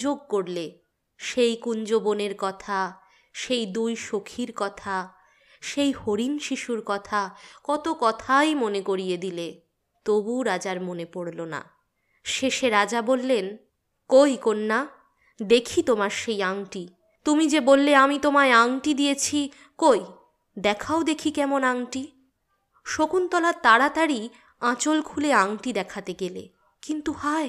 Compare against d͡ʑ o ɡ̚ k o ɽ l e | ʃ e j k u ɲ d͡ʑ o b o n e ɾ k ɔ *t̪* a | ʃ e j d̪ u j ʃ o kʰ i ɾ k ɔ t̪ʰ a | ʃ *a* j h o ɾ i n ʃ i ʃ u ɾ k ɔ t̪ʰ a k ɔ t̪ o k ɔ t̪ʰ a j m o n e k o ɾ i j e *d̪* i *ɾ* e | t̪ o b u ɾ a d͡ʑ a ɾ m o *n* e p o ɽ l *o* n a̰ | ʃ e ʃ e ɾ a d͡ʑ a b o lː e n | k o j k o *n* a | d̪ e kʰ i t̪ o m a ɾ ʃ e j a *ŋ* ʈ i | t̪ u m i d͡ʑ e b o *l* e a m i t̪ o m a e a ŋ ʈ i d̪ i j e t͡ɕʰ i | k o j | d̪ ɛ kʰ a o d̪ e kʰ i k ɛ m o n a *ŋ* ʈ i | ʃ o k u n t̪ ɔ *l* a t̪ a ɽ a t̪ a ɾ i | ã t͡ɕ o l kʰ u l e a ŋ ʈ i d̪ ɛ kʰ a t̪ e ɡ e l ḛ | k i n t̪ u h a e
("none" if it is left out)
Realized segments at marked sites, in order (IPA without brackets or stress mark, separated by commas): t̪ʰ, e, d̪, l, n, o, nː, ŋ, lː, ŋ, l